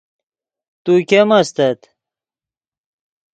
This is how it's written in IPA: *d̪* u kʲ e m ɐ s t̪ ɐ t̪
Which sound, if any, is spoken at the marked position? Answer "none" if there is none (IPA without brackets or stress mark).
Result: t̪